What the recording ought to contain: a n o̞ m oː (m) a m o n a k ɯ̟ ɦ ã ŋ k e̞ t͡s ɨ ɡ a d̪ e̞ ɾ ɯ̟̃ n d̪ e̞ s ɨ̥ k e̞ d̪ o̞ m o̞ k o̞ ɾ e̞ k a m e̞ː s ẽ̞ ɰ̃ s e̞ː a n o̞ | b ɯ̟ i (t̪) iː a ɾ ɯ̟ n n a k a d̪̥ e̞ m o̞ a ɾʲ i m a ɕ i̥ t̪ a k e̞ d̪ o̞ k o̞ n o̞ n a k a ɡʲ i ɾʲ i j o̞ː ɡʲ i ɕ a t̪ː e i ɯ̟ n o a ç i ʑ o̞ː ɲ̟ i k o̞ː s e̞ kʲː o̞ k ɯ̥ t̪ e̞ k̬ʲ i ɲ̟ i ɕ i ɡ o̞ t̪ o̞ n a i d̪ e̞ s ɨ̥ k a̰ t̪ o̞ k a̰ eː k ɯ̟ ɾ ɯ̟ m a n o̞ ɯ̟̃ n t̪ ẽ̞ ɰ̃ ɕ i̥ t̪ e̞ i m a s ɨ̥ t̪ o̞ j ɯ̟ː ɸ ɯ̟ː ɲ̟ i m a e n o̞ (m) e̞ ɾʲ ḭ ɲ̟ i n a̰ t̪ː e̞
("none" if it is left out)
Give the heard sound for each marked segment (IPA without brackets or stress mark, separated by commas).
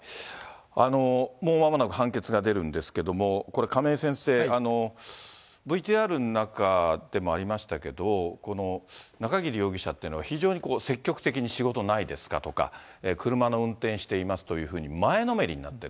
m, t̪, m